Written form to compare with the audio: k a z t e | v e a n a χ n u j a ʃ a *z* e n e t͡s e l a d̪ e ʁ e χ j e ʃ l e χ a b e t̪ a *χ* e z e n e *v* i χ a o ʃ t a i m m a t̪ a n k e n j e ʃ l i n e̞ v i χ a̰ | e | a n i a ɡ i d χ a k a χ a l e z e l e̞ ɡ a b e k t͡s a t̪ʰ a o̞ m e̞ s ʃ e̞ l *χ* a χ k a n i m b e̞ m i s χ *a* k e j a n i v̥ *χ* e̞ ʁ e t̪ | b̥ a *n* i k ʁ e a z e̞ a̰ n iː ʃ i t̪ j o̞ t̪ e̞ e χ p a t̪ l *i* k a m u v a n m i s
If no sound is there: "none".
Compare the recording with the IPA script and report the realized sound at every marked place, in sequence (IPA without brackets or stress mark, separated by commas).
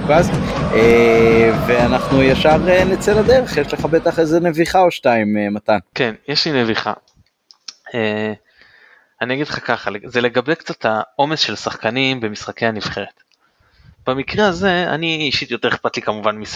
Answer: ʁ, χ, v, s, a, χ, m, i